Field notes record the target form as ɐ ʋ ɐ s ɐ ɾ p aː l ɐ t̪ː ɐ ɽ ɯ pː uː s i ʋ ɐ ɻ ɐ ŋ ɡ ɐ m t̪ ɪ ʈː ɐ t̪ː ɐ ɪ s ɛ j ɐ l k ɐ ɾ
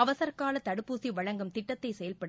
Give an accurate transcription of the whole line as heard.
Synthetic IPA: ɐ ʋ ɐ s ɐ ɾ k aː l ɐ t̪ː ɐ ɽ ɯ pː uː s i ʋ ɐ ɻ ɐ ŋ ɡ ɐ m t̪ ɪ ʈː ɐ t̪ː ɐ ɪ s ɛ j ɐ l p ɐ ɽ